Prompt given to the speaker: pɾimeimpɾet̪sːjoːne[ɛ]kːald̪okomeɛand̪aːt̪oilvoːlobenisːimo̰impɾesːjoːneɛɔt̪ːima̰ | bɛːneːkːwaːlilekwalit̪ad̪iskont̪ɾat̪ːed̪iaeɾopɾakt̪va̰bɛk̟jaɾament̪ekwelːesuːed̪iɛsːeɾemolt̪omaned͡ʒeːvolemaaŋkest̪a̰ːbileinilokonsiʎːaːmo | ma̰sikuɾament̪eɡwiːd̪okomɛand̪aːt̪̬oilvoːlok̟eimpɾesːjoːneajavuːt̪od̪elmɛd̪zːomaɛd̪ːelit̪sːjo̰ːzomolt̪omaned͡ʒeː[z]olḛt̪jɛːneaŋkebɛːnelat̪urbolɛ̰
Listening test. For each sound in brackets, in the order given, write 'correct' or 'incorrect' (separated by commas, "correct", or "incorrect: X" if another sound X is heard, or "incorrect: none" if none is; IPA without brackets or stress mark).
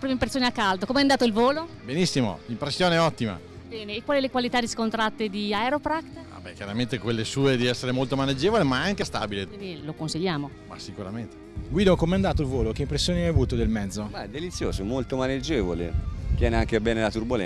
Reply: incorrect: a, incorrect: v